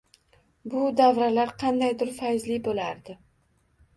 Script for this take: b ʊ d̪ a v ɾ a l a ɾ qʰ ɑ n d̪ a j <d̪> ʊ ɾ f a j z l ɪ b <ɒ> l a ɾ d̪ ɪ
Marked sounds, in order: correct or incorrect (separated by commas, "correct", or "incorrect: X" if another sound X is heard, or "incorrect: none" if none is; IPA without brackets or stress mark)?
correct, incorrect: o